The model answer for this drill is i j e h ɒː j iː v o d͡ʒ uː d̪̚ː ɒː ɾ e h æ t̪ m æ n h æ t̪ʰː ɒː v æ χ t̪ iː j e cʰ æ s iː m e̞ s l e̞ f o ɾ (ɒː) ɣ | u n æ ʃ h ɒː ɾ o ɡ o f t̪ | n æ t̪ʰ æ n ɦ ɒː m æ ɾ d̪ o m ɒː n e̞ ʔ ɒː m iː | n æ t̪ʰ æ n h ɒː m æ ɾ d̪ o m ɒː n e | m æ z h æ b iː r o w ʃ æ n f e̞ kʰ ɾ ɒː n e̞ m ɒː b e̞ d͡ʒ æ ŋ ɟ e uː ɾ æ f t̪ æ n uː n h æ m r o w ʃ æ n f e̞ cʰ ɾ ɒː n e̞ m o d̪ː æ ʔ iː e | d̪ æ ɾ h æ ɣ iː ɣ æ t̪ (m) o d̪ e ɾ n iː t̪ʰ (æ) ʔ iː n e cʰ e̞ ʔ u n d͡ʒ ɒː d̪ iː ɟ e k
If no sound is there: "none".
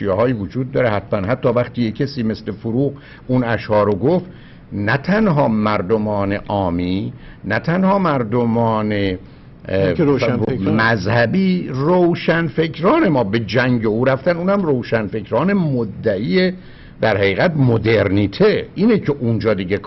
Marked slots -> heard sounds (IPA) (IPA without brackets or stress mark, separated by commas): uː, m, e